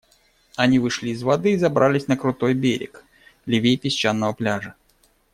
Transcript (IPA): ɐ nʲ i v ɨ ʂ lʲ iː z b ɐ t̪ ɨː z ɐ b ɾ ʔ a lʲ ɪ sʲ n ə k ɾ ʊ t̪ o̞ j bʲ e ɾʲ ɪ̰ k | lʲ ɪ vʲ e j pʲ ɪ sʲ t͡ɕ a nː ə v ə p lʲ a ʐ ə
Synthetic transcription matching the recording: ɐ nʲ i v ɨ ʂ lʲ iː z v ɐ d̪ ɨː z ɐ b ɾ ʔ a lʲ ɪ sʲ n ə k ɾ ʊ t̪ o̞ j bʲ e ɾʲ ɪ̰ k | lʲ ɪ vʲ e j pʲ ɪ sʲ t͡ɕ a nː ə v ə p lʲ a ʐ ə

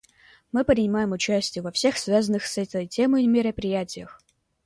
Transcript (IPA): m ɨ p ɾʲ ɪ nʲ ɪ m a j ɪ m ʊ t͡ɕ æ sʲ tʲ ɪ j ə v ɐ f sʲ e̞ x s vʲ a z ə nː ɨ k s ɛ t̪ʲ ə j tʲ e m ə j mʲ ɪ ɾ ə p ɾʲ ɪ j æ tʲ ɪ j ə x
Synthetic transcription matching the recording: m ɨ p ɾʲ ɪ nʲ ɪ m a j ɪ m ʊ t͡ɕ æ sʲ tʲ ɪ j ə v ɐ f sʲ e̞ x s vʲ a z ə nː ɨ x s ɛ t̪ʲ ə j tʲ e m ə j mʲ ɪ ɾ ə p ɾʲ ɪ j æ tʲ ɪ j ə x

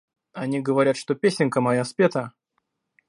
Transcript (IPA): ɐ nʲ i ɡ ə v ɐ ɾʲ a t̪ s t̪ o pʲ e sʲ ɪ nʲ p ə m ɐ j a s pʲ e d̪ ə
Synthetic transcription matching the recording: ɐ nʲ i ɡ ə v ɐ ɾʲ a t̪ ʂ t̪ o pʲ e sʲ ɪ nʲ k ə m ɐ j a s pʲ e t̪ ə

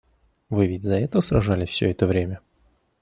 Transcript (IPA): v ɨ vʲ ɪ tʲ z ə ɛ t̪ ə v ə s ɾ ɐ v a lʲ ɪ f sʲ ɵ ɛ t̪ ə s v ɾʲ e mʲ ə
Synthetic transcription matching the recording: v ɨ vʲ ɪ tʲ z ɐ ɛ t̪ ə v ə s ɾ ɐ ʐ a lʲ ɪ f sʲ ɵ ɛ t̪ ə v ɾʲ e mʲ ə

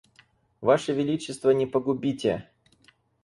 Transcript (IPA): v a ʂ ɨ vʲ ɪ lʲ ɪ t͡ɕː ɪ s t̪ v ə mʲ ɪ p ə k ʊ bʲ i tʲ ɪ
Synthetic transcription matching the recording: v a ʂ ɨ vʲ ɪ lʲ i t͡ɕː ɪ s t̪ v ə nʲ ɪ p ə ɡ ʊ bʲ i tʲ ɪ

